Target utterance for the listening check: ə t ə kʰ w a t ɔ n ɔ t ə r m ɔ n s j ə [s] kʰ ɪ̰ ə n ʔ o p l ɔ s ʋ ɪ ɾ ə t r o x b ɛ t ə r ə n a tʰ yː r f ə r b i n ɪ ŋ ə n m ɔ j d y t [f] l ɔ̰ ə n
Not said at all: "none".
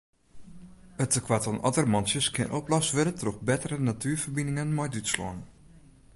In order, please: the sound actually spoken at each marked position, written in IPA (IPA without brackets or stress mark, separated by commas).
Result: s, s